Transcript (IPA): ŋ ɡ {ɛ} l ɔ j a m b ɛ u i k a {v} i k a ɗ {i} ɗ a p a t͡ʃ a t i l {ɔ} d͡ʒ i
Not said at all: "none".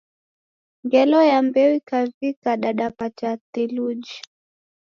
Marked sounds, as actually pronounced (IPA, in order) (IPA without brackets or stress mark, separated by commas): ɛ, v, a, u